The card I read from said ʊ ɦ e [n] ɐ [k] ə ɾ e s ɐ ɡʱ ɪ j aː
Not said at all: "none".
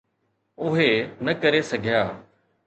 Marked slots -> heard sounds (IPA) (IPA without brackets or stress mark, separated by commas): n, k